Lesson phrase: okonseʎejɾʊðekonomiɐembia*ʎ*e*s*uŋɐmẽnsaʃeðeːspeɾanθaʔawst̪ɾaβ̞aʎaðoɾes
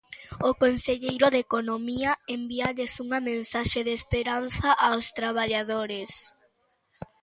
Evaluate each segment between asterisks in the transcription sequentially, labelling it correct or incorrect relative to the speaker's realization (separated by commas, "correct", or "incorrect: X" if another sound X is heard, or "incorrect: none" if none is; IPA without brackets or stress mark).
correct, correct